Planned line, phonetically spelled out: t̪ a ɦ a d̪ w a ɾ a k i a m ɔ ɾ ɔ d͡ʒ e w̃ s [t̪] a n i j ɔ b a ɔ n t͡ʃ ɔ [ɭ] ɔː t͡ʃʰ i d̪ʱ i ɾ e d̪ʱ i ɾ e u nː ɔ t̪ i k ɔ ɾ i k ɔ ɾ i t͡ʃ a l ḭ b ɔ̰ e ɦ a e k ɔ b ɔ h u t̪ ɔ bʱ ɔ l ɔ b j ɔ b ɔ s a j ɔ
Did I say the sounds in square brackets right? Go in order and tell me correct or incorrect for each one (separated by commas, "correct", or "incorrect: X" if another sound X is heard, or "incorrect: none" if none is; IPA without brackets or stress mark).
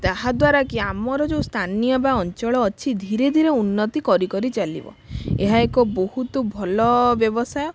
incorrect: t̪ʰ, correct